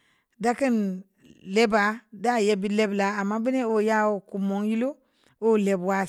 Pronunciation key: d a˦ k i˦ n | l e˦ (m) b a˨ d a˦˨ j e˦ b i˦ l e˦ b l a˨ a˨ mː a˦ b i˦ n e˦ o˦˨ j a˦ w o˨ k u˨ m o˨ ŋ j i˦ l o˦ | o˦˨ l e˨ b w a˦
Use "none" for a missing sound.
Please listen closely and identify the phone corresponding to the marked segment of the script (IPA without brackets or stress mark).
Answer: none